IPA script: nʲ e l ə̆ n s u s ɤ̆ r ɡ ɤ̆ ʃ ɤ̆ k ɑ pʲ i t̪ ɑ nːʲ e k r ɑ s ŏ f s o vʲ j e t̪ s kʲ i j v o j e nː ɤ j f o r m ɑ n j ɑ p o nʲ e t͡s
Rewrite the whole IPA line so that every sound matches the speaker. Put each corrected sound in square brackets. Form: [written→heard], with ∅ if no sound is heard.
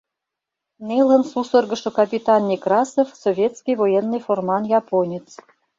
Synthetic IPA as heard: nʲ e l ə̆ n s u s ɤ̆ r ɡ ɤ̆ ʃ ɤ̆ k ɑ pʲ i t̪ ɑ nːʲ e k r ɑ s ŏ f s o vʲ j e t̪ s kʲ i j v o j e nː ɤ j f o r m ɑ n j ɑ p o nʲ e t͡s